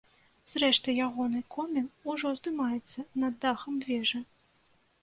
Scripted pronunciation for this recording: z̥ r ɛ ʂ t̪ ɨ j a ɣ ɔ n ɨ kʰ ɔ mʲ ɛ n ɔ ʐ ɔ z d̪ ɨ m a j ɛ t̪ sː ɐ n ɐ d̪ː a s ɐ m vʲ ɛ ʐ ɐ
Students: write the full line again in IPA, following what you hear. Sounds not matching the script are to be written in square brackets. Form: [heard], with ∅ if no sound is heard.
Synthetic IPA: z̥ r ɛ ʂ t̪ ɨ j a ɣ ɔ n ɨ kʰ ɔ mʲ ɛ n [u] ʐ ɔ z d̪ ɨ m a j ɛ t̪ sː ɐ n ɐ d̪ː a [x] ɐ m vʲ ɛ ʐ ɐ